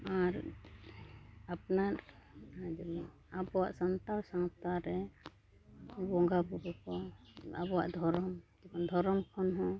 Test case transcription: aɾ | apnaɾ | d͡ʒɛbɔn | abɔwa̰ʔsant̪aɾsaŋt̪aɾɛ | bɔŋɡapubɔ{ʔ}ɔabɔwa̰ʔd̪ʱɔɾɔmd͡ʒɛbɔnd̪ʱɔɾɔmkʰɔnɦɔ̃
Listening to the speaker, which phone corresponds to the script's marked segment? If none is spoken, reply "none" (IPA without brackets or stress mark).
k